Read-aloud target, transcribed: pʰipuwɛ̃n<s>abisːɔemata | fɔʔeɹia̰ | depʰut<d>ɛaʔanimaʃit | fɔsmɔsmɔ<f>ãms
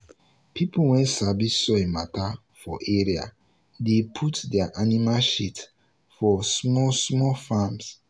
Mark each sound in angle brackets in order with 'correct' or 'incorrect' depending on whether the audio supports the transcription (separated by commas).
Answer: correct, correct, correct